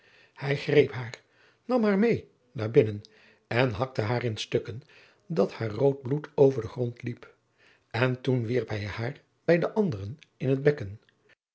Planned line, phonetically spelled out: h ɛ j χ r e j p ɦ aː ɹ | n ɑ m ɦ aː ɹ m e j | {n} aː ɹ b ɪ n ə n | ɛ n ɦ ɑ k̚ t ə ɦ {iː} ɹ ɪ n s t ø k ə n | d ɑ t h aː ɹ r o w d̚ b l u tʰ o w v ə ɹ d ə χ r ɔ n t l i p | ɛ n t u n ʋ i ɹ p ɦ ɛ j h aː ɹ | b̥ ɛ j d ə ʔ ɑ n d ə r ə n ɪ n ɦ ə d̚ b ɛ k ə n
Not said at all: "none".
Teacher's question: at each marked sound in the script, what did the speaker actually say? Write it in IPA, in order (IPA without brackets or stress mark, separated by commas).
n, aː